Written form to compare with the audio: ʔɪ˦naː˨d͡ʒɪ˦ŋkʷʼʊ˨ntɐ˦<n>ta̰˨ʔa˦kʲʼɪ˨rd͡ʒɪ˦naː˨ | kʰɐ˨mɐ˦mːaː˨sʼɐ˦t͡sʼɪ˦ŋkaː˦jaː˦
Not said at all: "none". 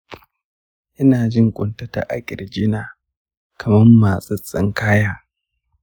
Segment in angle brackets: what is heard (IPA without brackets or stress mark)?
none